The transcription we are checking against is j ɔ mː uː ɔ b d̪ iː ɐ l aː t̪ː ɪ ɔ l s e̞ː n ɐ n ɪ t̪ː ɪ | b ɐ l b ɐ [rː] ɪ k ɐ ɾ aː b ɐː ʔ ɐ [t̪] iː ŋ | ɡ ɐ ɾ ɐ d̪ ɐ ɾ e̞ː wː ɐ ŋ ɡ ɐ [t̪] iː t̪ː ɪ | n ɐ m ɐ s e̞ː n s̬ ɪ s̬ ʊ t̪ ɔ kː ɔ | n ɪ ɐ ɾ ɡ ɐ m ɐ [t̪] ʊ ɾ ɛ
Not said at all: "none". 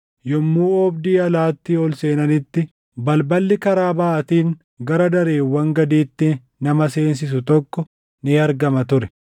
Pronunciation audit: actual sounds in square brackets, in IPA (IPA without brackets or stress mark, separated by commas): lː, t̪, d̪, t̪